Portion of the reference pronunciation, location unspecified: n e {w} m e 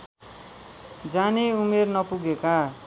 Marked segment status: incorrect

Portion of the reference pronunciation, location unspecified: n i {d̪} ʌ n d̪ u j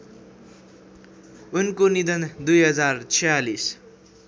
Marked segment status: correct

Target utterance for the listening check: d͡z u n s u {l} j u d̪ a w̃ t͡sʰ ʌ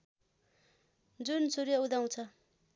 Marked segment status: incorrect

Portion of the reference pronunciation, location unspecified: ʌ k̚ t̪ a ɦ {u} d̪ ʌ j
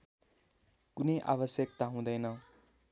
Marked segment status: incorrect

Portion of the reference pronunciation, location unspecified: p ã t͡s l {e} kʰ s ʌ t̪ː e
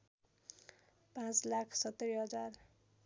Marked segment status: incorrect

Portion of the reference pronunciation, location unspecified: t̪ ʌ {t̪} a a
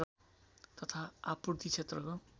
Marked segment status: incorrect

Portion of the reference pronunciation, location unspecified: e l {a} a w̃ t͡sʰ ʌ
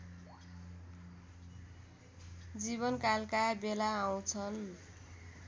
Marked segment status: correct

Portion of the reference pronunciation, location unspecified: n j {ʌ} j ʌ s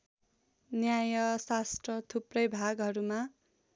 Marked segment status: incorrect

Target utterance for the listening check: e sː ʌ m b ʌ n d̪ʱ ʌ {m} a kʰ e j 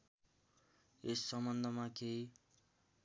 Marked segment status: correct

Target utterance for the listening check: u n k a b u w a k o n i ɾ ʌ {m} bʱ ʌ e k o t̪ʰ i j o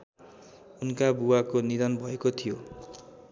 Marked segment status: incorrect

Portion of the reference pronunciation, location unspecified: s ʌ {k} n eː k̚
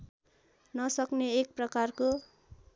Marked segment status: correct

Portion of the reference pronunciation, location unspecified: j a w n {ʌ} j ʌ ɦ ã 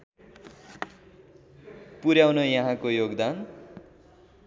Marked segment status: correct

